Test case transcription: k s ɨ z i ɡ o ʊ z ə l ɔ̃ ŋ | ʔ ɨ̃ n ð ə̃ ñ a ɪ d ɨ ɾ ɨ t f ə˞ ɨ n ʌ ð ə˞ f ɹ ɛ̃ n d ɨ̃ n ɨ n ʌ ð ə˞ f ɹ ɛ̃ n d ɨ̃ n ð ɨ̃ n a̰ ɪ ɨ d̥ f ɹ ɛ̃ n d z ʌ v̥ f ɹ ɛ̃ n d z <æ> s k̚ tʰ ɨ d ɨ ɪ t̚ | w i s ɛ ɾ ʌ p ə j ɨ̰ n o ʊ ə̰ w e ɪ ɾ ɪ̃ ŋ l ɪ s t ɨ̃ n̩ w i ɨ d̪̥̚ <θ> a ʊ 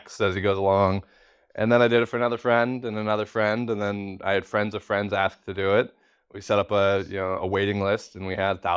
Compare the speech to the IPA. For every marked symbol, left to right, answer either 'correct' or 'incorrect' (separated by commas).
correct, correct